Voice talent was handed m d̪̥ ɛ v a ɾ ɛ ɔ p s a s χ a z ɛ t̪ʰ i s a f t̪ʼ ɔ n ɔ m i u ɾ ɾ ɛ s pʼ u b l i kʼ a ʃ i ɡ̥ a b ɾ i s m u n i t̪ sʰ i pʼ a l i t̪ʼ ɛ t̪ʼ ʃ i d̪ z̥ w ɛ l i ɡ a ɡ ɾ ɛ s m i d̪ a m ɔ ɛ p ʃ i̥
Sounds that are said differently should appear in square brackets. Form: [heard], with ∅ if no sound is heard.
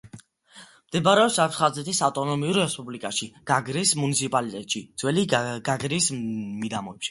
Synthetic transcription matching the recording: m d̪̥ ɛ [b] a ɾ ɛ ɔ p s a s χ a z ɛ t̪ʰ i s a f t̪ʼ ɔ n ɔ m i u ɾ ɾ ɛ s pʼ u b l i kʼ a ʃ i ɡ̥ a [ɡ] ɾ i s m u n i t̪ sʰ i pʼ a l i t̪ʼ ɛ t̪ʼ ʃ i d̪ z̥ w ɛ l i ɡ a ɡ ɾ [i] s m i d̪ a m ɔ ɛ p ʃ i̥